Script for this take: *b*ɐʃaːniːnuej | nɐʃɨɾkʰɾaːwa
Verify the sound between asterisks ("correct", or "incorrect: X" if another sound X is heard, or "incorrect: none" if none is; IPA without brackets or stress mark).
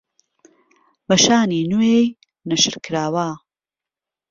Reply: correct